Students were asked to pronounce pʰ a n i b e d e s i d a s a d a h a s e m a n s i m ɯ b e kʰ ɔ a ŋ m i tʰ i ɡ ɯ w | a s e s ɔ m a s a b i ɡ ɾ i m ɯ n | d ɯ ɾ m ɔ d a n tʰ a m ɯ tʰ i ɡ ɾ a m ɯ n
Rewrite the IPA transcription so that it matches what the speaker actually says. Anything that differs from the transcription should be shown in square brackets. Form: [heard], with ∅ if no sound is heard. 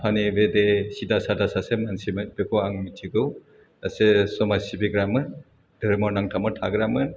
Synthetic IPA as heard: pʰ a n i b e d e s i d a s a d a [s] a s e m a n s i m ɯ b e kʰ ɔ a ŋ m i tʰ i ɡ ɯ w | a s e s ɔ m a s [i] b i ɡ ɾ [a] m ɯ n | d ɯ ɾ m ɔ [n] a [ŋ] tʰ a m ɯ tʰ [a] ɡ ɾ a m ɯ n